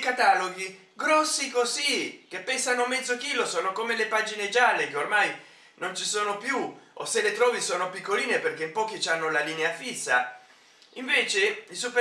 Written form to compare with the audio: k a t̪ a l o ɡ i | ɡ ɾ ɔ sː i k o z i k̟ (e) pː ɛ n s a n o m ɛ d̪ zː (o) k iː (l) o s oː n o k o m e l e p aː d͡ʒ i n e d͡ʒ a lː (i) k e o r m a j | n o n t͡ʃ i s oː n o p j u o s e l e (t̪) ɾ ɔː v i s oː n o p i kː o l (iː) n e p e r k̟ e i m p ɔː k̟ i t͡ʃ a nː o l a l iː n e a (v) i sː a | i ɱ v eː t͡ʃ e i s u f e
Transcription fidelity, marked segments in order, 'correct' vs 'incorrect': correct, correct, correct, incorrect: e, correct, correct, incorrect: f

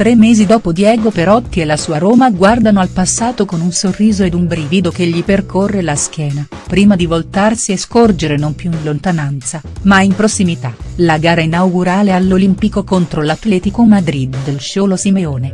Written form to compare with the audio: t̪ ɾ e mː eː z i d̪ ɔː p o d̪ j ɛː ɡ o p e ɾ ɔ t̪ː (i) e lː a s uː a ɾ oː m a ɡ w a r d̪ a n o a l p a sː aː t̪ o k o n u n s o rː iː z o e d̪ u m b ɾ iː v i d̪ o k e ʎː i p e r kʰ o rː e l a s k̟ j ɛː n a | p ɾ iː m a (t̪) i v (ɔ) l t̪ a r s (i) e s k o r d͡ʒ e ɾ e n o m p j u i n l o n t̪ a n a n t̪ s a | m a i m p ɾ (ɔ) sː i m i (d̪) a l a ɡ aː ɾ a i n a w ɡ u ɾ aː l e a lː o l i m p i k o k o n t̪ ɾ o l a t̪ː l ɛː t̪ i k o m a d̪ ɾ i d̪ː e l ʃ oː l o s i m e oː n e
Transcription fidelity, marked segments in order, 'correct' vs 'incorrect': correct, incorrect: d̪, incorrect: o, correct, incorrect: o, incorrect: t̪

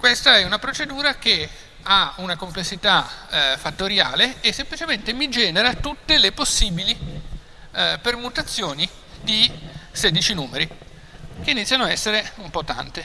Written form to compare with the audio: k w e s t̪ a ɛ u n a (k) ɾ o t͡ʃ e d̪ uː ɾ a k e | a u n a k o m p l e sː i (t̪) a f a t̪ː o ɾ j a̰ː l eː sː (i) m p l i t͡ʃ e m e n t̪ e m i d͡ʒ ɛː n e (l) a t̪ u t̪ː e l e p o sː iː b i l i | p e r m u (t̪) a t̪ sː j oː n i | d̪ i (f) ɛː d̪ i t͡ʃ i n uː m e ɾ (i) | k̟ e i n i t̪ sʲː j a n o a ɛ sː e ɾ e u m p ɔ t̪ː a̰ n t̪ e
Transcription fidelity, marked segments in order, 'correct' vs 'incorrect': incorrect: p, correct, incorrect: e, incorrect: ɾ, correct, incorrect: s, correct

